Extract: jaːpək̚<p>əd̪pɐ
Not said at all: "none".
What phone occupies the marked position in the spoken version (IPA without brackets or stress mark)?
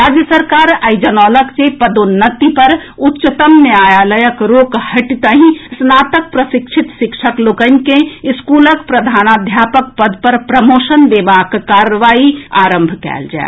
p